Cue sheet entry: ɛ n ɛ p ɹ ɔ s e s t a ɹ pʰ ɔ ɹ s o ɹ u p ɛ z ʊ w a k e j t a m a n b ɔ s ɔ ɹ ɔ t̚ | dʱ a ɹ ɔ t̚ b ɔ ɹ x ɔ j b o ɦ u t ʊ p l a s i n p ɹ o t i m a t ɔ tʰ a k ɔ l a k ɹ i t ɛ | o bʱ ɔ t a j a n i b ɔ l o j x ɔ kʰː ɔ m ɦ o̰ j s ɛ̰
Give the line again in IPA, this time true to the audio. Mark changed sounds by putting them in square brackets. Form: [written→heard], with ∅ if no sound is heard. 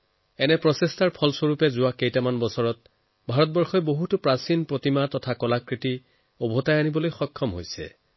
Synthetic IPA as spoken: ɛ n ɛ p ɹ ɔ s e s t a ɹ pʰ ɔ [ɹ→l] s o ɹ u p ɛ z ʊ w a k e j t a m a n b ɔ s ɔ ɹ ɔ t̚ | [dʱ→bʱ] a ɹ ɔ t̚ b ɔ ɹ x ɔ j b o ɦ u t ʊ p [l→ɹ] a s i n p ɹ o t i m a t ɔ tʰ a k ɔ l a k ɹ i t [ɛ→i] | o bʱ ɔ t a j a n i b ɔ l o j x ɔ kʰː ɔ m ɦ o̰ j s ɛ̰